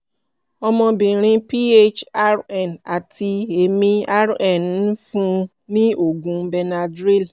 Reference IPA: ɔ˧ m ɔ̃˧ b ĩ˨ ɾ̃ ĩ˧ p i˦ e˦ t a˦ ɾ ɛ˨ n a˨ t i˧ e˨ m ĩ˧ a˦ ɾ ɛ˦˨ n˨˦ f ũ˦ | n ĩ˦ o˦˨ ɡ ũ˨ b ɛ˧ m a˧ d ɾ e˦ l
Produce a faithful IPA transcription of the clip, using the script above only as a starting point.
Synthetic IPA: ɔ˧ m ɔ̃˧ b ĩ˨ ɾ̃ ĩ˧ p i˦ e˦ t͡ʃ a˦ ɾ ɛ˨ n a˨ t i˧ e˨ m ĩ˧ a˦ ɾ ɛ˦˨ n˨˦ f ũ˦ | n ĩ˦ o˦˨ ɡ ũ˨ b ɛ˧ n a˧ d ɾ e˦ l